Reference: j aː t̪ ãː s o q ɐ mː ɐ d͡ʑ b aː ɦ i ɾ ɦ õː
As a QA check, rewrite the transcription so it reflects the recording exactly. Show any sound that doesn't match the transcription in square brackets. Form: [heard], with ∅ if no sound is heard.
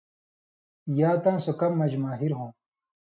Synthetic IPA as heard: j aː t̪ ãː s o [k] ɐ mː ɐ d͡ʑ [m] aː ɦ i ɾ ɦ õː